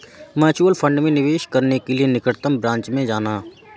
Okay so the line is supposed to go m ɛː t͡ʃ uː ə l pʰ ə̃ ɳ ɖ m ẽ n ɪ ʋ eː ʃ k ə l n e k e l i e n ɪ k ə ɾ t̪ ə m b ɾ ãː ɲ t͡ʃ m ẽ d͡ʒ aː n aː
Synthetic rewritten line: m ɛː t͡ʃ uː ə l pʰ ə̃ ɳ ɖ m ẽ n ɪ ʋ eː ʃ k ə ɾ n e k e l i e n ɪ k ə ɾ t̪ ə m b ɾ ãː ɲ t͡ʃ m ẽ d͡ʒ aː n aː

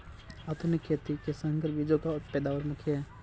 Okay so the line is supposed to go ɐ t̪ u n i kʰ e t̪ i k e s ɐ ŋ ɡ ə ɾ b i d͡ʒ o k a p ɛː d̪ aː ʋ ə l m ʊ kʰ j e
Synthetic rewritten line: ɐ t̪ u n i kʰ e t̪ i k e s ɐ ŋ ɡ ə ɾ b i d͡ʒ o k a p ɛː d̪ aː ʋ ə ɾ m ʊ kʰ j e

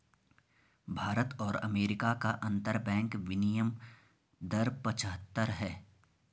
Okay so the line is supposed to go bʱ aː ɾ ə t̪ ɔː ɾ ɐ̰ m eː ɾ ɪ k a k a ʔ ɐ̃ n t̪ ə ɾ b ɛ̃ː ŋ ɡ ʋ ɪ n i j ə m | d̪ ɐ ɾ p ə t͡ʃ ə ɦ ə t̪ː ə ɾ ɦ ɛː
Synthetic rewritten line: bʱ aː ɾ ə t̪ ɔː ɾ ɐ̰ m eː ɾ ɪ k a k a ʔ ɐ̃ n t̪ ə ɾ b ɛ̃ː ŋ k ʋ ɪ n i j ə m | d̪ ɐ ɾ p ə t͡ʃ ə ɦ ə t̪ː ə ɾ ɦ ɛː

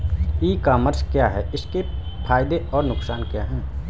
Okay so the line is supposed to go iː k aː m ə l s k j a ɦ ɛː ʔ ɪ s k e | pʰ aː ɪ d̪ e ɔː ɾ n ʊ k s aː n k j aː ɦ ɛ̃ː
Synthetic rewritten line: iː k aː m ə ɾ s k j a ɦ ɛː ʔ ɪ s k e | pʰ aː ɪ d̪ e ɔː ɾ n ʊ k s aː n k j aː ɦ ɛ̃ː

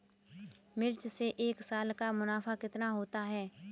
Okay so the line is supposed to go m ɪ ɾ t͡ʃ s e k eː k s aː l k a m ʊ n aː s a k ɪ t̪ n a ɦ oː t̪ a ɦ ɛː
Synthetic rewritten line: m ɪ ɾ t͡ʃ s e ʔ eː k s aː l k a m ʊ n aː f a k ɪ t̪ n a ɦ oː t̪ a ɦ ɛː

